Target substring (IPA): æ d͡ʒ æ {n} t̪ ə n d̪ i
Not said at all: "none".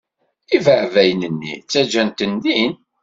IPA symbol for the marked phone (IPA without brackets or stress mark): n